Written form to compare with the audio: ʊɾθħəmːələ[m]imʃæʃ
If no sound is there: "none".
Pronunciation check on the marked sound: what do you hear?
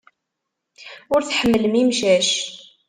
m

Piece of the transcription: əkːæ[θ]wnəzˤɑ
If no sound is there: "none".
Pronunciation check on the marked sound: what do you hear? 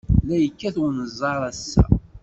θ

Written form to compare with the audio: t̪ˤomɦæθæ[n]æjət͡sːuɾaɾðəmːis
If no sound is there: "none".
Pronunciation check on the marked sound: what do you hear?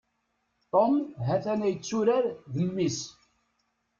n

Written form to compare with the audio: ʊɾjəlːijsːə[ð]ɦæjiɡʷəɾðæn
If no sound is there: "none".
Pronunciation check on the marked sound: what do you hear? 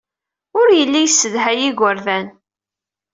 ð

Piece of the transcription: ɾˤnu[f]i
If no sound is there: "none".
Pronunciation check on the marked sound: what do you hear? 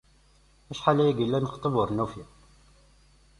f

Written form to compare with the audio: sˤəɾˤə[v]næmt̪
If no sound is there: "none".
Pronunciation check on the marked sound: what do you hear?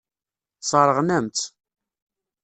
ʁ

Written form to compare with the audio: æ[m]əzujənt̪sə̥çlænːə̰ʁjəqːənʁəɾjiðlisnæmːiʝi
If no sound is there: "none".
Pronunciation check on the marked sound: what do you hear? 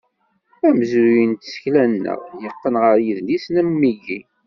m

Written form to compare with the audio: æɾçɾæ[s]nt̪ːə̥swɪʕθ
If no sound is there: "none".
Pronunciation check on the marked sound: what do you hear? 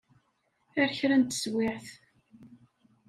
none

